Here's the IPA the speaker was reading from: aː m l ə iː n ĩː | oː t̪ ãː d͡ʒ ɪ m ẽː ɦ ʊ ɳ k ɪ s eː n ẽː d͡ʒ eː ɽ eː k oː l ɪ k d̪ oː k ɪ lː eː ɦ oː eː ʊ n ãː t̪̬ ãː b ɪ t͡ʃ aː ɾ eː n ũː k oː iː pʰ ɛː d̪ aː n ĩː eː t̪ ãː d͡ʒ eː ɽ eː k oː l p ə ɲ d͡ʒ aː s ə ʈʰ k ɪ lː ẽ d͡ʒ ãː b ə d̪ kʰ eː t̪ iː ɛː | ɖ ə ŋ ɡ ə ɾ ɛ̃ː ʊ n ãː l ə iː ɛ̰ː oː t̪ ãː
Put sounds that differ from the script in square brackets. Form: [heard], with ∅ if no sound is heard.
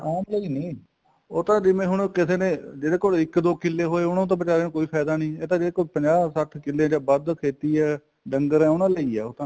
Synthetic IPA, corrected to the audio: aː m l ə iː n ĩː | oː t̪ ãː d͡ʒ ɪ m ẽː ɦ ʊ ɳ k ɪ s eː n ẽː d͡ʒ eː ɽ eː k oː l ɪ k d̪ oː k ɪ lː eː ɦ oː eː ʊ n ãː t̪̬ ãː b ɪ t͡ʃ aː ɾ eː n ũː k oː iː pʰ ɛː d̪ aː n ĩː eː t̪ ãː d͡ʒ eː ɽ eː k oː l p ə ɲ d͡ʒ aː s ə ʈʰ k ɪ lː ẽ d͡ʒ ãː b ə d̪ kʰ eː t̪ iː ɛː | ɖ ə ŋ ɡ ə ɾ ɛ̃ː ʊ n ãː l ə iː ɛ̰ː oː t̪ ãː